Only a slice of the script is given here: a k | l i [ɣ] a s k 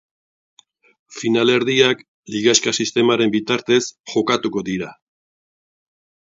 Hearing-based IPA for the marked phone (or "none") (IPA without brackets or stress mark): ɣ